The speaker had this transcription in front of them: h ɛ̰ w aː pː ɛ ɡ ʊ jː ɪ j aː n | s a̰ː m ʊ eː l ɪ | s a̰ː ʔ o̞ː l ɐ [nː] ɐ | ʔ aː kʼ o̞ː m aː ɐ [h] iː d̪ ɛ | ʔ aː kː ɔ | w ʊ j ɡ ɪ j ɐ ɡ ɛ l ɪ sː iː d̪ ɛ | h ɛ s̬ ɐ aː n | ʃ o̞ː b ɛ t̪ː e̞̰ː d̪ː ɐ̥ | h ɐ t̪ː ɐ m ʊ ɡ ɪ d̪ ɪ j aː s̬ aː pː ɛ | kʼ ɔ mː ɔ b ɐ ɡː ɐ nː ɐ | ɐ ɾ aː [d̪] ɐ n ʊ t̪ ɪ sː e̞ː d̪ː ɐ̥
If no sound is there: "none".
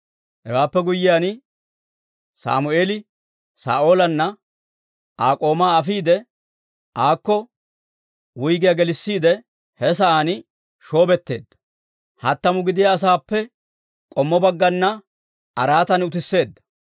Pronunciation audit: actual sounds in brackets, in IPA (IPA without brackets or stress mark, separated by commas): nː, f, t̪